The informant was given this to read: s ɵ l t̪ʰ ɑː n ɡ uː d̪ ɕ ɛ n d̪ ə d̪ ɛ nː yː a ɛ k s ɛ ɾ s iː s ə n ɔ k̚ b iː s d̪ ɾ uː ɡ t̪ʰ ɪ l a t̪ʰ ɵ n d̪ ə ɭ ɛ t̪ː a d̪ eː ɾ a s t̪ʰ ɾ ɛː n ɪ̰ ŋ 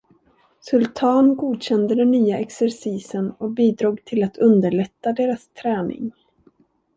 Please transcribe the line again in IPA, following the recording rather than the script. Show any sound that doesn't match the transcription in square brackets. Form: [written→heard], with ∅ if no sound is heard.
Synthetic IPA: s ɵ l t̪ʰ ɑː n ɡ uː d̪ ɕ ɛ n d̪ ə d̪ ɛ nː yː a ɛ k s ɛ ɾ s iː s ə n ɔ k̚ b iː [s→∅] d̪ ɾ uː ɡ t̪ʰ ɪ l a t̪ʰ ɵ n d̪ ə ɭ ɛ t̪ː a d̪ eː ɾ a s t̪ʰ ɾ ɛː n ɪ̰ ŋ